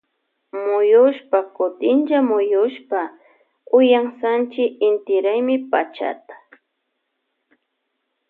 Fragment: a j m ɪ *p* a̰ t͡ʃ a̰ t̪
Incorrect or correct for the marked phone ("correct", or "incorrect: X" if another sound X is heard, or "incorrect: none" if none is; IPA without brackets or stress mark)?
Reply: correct